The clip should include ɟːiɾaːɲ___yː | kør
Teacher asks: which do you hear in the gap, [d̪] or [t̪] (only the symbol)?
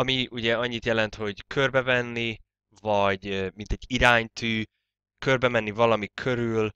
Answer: t̪